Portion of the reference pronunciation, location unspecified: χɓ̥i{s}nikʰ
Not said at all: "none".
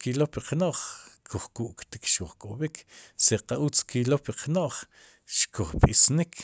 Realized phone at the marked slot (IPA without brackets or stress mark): s